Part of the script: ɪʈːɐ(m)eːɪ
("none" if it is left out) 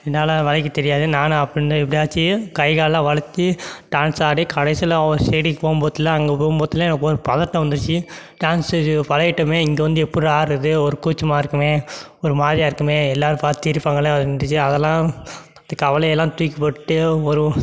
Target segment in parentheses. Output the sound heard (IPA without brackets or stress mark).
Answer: m